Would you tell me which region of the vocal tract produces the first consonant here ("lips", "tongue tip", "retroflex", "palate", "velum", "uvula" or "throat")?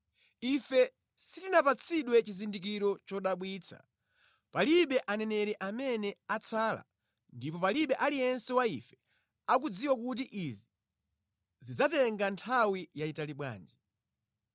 lips